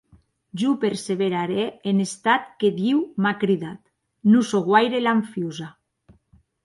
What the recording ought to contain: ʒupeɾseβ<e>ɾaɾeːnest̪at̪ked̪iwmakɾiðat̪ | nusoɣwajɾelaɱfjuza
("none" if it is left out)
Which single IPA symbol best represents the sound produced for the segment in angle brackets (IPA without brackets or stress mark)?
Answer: e